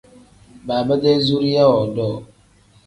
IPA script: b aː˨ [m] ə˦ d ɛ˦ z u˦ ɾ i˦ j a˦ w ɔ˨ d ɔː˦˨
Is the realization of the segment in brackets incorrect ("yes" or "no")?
yes